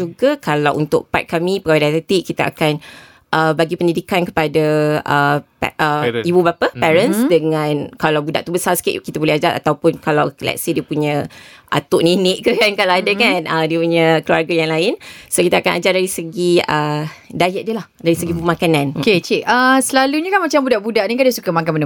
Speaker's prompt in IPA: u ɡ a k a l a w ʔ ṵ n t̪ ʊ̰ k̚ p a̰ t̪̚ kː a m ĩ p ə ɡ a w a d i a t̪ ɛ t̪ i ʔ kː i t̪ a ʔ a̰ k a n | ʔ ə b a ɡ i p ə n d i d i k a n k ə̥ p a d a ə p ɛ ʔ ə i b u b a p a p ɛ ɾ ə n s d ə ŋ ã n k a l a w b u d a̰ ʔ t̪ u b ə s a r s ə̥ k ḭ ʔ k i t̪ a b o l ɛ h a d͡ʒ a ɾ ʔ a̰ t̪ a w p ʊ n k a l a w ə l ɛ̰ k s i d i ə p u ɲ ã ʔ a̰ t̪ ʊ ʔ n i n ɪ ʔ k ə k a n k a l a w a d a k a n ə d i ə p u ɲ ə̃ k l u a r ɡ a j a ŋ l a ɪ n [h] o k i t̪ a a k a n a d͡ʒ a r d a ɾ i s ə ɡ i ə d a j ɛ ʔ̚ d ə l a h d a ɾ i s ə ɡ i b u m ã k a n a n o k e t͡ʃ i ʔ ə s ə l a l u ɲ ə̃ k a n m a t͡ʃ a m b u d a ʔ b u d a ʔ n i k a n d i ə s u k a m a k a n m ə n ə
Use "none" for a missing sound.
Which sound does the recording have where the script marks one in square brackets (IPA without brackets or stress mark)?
s